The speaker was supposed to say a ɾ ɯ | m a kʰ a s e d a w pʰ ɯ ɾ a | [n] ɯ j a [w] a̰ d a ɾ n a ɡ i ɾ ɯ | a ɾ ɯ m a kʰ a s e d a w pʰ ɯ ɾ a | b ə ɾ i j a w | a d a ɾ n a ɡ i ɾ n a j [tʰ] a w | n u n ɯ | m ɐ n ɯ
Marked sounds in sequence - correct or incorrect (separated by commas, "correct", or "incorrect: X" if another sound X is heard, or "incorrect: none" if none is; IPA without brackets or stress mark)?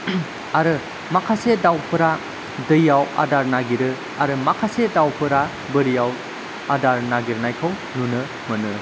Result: incorrect: d, correct, incorrect: kʰ